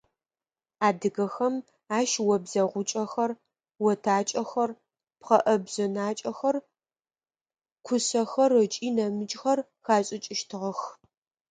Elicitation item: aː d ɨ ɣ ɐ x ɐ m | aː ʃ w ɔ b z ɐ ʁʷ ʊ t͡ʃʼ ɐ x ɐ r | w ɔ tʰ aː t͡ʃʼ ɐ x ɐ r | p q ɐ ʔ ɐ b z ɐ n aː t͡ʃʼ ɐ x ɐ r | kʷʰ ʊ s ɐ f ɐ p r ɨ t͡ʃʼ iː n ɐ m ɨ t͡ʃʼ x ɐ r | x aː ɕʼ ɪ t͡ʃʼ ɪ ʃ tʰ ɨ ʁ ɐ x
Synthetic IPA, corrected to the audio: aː d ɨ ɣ ɐ x ɐ m | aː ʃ w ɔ b z ɐ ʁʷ ʊ t͡ʃʼ ɐ x ɐ r | w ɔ tʰ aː t͡ʃʼ ɐ x ɐ r | p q ɐ ʔ ɐ b z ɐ n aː t͡ʃʼ ɐ x ɐ r | kʷʰ ʊ s ɐ x ɐ r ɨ t͡ʃʼ iː n ɐ m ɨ t͡ʃʼ x ɐ r | x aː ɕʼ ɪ t͡ʃʼ ɪ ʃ tʰ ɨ ʁ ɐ x